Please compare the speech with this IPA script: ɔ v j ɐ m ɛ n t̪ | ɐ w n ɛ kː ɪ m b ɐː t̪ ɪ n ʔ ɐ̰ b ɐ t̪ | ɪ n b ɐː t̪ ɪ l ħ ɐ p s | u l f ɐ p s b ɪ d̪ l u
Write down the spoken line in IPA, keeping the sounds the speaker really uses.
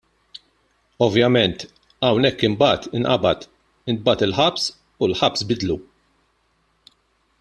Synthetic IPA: ɔ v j ɐ m ɛ n t̪ | ɐ w n ɛ kː ɪ m b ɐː t̪ ɪ n ʔ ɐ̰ b ɐ t̪ | ɪ n b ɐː t̪ ɪ l ħ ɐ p s | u l ħ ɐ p s b ɪ d̪ l u